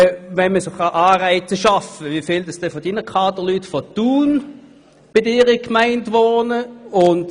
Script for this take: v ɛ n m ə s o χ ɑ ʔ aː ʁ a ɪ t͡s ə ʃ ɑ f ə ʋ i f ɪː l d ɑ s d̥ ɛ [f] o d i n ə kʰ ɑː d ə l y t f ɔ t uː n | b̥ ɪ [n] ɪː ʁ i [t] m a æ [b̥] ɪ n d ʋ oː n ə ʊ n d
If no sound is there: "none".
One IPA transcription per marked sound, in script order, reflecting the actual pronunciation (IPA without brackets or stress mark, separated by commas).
f, d, k, none